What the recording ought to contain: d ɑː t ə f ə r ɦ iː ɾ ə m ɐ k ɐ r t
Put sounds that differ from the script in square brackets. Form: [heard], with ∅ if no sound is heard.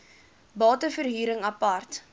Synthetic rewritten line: [b] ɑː t ə f ə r ɦ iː ɾ ə [ŋ] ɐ [p] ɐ r t